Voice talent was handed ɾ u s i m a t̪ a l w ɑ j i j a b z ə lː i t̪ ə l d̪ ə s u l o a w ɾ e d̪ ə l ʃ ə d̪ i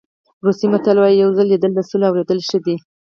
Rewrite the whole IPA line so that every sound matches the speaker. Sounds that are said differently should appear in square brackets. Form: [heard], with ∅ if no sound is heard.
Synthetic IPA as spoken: ɾ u s i m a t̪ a l w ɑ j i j a [w] z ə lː i [d̪] ə l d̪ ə s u l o a w ɾ e d̪ ə l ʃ ə d̪ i